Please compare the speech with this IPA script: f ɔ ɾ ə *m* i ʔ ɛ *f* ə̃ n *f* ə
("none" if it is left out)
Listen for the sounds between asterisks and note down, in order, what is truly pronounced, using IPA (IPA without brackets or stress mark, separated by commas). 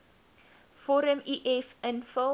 m, f, f